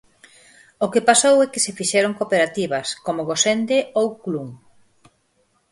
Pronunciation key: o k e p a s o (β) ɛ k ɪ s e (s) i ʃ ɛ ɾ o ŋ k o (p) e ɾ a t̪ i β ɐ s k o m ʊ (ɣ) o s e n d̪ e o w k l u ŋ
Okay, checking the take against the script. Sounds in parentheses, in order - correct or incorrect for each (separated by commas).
incorrect, incorrect, correct, correct